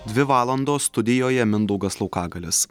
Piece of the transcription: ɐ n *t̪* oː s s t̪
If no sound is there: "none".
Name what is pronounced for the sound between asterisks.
d̪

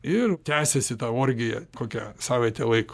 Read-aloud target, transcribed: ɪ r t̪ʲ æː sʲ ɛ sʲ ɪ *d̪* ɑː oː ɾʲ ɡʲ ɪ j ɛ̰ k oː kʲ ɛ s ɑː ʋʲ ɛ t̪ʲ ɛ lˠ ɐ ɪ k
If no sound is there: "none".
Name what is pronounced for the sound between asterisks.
t̪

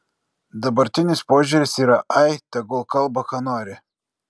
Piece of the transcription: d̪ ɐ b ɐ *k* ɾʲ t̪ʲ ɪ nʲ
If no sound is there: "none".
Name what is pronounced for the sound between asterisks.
none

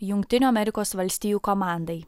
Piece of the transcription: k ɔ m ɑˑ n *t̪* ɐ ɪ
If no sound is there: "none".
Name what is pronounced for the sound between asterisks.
d̪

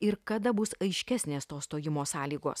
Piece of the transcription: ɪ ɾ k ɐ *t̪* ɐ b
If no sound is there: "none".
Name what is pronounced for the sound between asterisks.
d̪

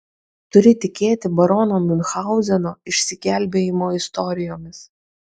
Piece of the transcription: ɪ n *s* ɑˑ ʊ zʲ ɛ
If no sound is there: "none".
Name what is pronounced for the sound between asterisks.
x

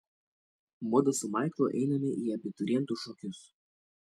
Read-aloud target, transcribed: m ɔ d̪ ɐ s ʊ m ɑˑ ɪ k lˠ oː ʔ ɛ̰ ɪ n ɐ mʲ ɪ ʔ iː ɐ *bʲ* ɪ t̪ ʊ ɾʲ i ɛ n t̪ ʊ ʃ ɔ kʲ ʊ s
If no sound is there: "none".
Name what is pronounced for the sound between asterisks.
bʲ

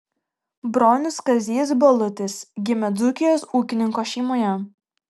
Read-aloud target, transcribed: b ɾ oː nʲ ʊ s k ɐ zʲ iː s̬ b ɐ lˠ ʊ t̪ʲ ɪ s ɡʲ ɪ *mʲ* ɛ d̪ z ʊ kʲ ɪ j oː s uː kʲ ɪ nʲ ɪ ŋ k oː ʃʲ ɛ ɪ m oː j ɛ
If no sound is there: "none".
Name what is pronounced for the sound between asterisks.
mʲ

